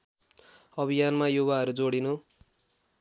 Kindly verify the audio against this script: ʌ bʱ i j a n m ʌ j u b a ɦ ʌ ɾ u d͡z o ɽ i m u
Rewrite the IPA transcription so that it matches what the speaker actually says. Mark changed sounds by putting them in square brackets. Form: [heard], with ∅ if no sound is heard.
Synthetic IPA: ʌ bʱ i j a n m [a] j u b a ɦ ʌ ɾ u d͡z o ɽ i [n] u